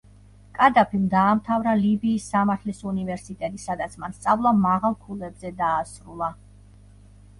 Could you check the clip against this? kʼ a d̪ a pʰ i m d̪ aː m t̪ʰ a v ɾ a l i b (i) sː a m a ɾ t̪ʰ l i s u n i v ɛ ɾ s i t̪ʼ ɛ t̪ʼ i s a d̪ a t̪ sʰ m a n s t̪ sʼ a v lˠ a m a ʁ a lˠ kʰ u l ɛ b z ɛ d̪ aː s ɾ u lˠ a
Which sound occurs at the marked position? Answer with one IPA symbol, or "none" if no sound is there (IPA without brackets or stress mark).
iː